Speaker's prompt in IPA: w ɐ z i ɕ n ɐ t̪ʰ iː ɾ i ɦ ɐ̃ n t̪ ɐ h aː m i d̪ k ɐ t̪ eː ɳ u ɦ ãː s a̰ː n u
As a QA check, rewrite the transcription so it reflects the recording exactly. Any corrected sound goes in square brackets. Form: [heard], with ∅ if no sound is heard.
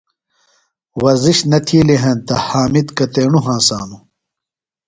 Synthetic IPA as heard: w ɐ z i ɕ n ɐ t̪ʰ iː [l] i ɦ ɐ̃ n t̪ ɐ h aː m i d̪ k ɐ t̪ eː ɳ u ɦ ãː s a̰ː n u

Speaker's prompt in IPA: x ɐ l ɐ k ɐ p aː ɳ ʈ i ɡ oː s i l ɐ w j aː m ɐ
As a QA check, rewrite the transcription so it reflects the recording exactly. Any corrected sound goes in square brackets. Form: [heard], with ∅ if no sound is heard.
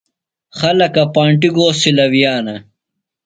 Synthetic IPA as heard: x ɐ l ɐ k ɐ p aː ɳ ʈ i ɡ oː s i l ɐ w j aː [n] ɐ

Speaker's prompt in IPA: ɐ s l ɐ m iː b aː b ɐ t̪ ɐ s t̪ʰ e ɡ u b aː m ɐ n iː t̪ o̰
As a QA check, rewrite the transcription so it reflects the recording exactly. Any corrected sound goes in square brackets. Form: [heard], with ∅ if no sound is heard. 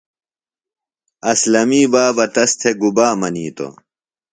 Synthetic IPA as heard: ɐ s l ɐ m iː b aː b ɐ t̪ ɐ s t̪ʰ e ɡ u b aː m ɐ n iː t̪ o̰

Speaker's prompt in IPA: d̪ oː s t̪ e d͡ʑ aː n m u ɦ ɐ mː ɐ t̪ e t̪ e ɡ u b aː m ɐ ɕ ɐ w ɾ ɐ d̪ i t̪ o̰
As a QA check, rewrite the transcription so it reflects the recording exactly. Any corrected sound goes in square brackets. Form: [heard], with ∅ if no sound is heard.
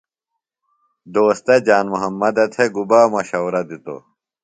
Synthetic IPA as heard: d̪ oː s t̪ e d͡ʑ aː n m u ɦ ɐ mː ɐ [d̪] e [t̪ʰ] e ɡ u b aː m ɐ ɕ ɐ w ɾ ɐ d̪ i t̪ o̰

